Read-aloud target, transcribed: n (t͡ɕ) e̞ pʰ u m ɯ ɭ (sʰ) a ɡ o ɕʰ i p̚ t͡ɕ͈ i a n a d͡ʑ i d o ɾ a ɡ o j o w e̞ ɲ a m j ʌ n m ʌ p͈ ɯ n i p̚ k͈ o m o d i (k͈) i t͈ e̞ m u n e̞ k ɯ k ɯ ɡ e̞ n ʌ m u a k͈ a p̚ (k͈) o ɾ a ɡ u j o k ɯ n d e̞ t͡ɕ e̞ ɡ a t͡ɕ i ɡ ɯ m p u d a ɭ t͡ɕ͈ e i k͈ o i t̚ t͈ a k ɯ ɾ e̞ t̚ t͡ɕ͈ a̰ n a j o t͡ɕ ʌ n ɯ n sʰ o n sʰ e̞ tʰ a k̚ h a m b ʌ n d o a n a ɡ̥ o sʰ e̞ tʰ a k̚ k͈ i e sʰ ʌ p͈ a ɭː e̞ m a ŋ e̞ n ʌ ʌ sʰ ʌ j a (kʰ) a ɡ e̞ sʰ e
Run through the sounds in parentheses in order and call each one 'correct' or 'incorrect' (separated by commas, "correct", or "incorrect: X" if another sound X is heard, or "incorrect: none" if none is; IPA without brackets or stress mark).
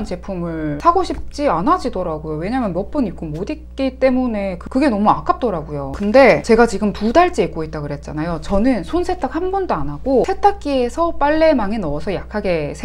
correct, correct, correct, incorrect: t͈, correct